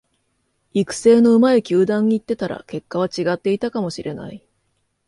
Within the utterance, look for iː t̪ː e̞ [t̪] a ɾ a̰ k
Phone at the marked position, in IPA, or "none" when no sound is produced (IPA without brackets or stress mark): t̪